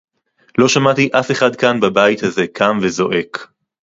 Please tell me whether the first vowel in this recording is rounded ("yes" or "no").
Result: yes